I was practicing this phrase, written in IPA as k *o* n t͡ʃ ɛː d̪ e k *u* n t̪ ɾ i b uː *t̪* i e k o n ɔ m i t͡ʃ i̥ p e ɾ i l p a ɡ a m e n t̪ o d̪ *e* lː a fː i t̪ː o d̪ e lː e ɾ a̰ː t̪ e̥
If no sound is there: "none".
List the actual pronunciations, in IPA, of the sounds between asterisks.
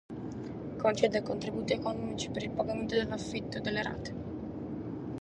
o, o, t̪, e

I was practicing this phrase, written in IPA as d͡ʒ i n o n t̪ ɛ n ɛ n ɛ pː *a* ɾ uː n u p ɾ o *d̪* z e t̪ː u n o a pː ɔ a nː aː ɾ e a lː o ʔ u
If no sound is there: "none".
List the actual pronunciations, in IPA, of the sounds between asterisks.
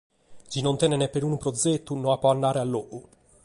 e, d̪

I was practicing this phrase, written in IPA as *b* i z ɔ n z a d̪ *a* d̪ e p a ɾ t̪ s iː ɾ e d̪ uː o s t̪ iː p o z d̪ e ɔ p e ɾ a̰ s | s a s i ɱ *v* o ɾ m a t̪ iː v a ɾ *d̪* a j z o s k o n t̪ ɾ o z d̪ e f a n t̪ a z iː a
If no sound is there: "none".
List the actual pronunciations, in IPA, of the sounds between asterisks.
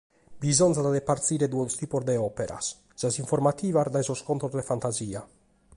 b, a, f, d̪

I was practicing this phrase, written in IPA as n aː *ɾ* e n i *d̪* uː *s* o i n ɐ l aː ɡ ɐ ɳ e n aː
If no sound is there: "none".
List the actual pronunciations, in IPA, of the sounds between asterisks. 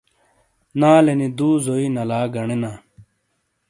l, d̪, z

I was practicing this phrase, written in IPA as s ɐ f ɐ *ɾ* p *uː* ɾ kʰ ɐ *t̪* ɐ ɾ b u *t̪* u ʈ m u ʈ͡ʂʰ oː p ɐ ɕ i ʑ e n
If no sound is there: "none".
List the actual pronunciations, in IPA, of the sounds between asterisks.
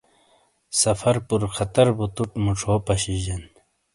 ɾ, u, t̪, t̪

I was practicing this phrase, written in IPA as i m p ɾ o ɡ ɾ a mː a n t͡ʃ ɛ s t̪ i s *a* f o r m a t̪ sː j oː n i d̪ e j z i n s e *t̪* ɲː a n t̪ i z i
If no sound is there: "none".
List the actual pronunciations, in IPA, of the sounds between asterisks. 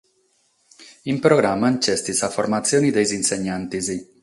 a, none

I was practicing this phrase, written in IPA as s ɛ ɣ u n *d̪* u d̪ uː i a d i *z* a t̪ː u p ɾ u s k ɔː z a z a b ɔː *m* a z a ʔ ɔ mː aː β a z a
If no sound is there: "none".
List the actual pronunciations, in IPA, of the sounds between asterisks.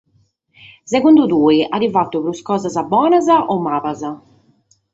d̪, v, n

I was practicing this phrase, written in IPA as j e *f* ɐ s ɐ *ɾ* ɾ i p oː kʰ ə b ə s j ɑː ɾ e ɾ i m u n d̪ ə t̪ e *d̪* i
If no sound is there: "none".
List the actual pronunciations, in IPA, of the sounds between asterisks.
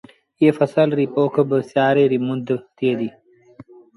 f, l, d̪

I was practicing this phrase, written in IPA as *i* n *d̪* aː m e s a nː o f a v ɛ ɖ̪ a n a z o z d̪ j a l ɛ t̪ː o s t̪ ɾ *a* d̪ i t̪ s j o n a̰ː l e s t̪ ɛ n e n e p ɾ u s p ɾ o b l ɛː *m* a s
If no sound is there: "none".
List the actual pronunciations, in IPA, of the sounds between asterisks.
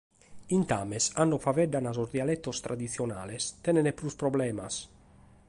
i, t̪, a, m

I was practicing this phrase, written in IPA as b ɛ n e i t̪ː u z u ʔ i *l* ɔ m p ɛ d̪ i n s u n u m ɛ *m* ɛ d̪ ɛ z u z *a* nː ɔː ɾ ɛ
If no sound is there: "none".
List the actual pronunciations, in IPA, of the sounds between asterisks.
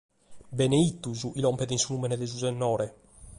l, n, ɛ

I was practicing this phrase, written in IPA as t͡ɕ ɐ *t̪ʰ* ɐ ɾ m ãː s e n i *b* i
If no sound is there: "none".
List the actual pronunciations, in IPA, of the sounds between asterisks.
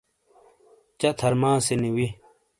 t̪ʰ, w

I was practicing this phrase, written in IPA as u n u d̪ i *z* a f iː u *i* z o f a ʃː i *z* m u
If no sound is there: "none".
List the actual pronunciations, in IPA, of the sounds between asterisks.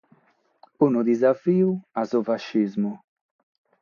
z, a, z

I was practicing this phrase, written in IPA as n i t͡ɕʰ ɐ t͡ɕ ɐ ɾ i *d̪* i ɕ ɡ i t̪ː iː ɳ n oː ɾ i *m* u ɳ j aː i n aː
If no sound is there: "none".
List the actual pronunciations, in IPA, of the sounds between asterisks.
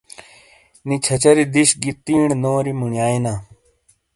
d̪, m

